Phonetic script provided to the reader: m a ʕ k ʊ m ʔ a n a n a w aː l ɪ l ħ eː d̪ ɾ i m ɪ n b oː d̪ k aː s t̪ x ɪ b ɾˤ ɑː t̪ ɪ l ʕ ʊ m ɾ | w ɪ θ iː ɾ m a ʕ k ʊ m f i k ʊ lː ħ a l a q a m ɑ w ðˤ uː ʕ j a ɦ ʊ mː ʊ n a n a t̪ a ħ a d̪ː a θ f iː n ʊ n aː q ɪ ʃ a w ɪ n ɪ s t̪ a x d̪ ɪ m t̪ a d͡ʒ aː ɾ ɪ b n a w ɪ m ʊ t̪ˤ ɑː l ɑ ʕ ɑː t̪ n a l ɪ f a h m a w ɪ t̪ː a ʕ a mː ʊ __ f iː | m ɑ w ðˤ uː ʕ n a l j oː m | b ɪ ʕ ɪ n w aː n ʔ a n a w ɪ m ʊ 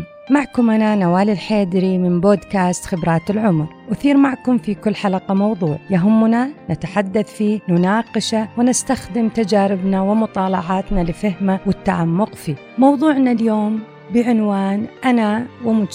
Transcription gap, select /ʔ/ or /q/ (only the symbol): q